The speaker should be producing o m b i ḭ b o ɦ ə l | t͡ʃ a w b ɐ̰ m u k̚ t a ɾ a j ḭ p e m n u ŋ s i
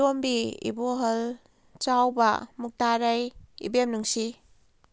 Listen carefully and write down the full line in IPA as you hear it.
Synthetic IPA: o m b i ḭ b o ɦ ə l | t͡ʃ a w b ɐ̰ m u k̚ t a ɾ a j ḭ b e m n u ŋ s i